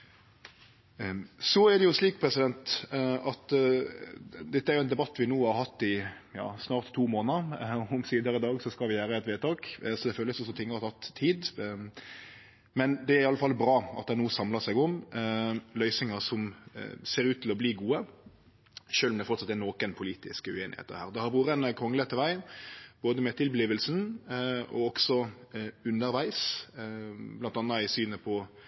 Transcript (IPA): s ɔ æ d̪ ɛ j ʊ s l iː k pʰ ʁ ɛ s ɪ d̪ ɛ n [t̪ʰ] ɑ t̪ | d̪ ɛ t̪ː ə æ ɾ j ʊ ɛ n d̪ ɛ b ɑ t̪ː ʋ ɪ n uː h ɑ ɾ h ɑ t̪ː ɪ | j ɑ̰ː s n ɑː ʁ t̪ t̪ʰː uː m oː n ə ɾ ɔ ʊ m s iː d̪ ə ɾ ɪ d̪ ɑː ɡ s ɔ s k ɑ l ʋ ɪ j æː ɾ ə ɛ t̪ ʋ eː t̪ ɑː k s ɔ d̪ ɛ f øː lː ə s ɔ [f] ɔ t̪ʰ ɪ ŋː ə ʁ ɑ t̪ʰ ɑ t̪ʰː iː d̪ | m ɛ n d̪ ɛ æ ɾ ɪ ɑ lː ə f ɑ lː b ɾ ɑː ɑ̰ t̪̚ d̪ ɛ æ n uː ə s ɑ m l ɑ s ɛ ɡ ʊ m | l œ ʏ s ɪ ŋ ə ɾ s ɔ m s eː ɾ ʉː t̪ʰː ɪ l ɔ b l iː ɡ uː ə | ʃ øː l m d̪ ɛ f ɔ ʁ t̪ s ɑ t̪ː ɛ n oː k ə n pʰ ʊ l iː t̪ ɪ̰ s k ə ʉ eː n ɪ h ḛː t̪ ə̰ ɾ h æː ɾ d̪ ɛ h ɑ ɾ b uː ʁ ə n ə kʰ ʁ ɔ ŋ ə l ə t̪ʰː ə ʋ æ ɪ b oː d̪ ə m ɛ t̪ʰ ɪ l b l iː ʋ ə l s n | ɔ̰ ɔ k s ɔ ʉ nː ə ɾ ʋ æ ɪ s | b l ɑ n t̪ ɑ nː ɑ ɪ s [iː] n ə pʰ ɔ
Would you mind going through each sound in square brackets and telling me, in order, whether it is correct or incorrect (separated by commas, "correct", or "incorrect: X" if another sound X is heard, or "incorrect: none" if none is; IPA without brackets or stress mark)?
incorrect: t̪, incorrect: s, incorrect: yː